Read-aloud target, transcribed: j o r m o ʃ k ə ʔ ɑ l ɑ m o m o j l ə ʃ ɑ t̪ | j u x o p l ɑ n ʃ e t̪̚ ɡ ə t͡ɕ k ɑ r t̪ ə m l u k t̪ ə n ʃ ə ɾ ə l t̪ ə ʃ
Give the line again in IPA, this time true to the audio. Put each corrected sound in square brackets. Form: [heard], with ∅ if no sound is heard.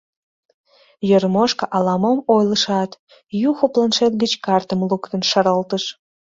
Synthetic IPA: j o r m o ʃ k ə ʔ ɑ l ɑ m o m o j l ə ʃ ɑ t̪ | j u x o p l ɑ n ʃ e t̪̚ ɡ ə t͡ɕ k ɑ r t̪ ə m l u k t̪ ə n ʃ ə ɾ ə l t̪ ə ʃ